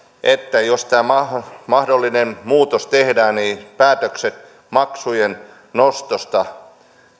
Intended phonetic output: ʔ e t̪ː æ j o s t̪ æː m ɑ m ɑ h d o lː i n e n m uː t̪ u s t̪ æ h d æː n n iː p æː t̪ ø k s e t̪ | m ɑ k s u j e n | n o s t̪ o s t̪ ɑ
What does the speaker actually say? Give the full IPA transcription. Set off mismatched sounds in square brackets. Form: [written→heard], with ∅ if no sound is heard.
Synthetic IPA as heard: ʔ e t̪ː æ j o s t̪ æː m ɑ m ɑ h d o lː i n e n m uː t̪ [u→o] s t̪ [æ→e] h d æː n n iː p æː t̪ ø k s e t̪ | m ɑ k s u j e n | n o s t̪ o s t̪ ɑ

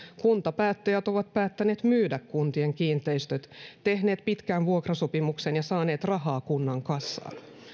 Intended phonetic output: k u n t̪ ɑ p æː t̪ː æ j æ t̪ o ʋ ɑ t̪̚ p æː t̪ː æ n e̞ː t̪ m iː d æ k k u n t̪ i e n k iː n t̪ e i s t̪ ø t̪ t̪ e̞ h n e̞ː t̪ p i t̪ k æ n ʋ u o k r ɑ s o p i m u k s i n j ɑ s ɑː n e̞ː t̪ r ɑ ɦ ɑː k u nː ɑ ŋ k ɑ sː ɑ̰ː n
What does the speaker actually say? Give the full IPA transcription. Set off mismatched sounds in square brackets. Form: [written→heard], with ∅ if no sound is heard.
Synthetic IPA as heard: k u n t̪ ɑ p æː t̪ː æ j æ t̪ o ʋ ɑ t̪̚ p æː t̪ː æ n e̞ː t̪ m [iː→yː] d æ k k u n t̪ i e [n→ŋ] k iː n t̪ e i s t̪ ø t̪ t̪ e̞ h n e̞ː t̪ p i t̪ k æ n ʋ u o k r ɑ s o p i m u k s [i→e] n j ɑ s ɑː n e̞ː t̪ r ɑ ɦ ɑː k u nː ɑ ŋ k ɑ sː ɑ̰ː n

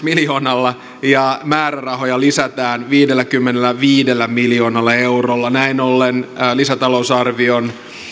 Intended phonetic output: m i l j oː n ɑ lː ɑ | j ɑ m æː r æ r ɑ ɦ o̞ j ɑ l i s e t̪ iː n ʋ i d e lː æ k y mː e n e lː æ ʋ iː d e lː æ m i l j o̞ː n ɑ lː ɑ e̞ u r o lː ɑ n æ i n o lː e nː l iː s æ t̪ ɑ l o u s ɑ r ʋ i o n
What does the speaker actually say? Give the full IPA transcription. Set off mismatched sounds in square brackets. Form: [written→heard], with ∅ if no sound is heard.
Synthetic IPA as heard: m i l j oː n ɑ lː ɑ | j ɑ m æː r æ r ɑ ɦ o̞ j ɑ l i s [e→æ] t̪ [iː→æː] n ʋ [i→iː] d e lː æ k y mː e n e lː æ ʋ iː d e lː æ m i l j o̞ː n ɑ lː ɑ e̞ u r o lː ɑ n æ i n o lː e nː l [iː→i] s æ t̪ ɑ l o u s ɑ r ʋ i o n

